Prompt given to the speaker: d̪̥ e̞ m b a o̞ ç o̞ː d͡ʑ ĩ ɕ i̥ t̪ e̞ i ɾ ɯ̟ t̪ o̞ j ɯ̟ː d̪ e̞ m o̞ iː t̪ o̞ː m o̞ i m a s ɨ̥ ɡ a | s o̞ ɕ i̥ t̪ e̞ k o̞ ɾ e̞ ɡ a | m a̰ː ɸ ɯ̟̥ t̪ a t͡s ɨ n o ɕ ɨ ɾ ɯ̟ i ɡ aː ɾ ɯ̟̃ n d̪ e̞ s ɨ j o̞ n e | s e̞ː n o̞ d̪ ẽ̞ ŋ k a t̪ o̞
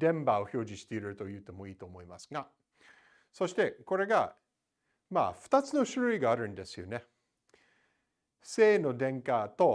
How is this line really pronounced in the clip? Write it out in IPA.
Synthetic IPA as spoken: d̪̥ ẽ̞ m b a o̞ ç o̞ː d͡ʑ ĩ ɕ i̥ t̪ e̞ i ɾ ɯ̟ t̪ o̞ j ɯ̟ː t̪ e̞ m o̞ iː t̪ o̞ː m o̞ i m a s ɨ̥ ɡ a | s o̞ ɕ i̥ t̪ e̞ k o̞ ɾ e̞ ɡ a | m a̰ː ɸ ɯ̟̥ t̪ a t͡s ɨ n o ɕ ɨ ɾ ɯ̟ i ɡ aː ɾ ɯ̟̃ n d̪ e̞ s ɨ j o̞ n e | s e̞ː n o̞ d̪ ẽ̞ ŋ k a t̪ o̞

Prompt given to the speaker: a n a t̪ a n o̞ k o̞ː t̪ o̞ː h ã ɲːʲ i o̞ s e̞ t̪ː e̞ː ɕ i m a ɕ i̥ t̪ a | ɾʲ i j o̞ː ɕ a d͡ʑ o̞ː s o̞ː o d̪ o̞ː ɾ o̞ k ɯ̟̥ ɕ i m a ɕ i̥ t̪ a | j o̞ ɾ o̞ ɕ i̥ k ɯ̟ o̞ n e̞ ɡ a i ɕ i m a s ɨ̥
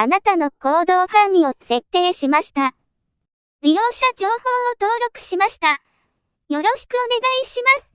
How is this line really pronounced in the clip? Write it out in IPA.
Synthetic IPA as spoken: a n a t̪ a n o̞ k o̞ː d̪ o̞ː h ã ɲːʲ i o̞ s e̞ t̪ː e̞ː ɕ i m a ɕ i̥ t̪ a | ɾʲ i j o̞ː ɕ a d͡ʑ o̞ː h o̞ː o t̪ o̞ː ɾ o̞ k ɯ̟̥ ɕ i m a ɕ i̥ t̪ a | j o̞ ɾ o̞ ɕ i̥ k ɯ̟ o̞ n e̞ ɡ a i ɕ i m a s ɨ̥

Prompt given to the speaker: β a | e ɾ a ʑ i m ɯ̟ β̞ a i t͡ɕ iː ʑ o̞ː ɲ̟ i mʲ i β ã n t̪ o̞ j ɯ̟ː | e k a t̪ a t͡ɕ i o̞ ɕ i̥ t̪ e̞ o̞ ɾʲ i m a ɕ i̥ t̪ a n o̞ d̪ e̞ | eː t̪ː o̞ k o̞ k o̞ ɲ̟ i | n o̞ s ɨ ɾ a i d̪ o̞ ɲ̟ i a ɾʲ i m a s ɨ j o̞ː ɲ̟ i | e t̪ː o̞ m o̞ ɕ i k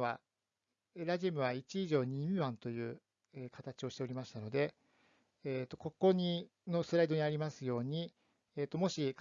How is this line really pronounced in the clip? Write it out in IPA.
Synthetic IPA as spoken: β a | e ɾ a ʑ i m ɯ̟ β̞ a i t͡ɕ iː ʑ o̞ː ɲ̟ i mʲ i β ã n t̪ o̞ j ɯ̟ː | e k a t̪ a t͡ɕ i o̞ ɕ i̥ t̪ e̞ o̞ ɾʲ i m a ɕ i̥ t̪ a n o̞ d̪ e̞ | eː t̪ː o̞ k o̞ k o̞ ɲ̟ i | n o̞ s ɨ ɾ a i d̪ o̞ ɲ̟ i a ɾʲ i m a s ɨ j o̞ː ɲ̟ i | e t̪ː o̞ m o̞ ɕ i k

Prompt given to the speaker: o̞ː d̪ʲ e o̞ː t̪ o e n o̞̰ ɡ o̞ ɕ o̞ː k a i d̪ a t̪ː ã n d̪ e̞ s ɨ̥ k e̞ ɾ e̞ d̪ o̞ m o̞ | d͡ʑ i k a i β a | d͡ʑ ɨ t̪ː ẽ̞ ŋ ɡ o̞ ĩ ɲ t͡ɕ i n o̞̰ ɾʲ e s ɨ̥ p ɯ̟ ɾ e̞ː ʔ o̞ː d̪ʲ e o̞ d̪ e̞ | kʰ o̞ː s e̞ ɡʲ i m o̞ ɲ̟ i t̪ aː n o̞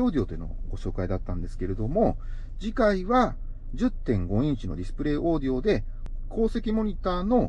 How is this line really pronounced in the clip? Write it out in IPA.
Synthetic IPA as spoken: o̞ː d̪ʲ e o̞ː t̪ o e n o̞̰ ɡ o̞ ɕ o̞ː k a i d̪ a t̪ː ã n d̪ e̞ s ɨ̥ k e̞ ɾ e̞ d̪ o̞ m o̞ | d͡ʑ i k a i β a | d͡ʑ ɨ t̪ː ẽ̞ ŋ ɡ o̞ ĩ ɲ t͡ɕ i n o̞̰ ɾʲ i s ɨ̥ p ɯ̟ ɾ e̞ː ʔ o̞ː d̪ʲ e o̞ d̪ e̞ | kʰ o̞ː s e̞ kʲ i m o̞ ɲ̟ i t̪ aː n o̞

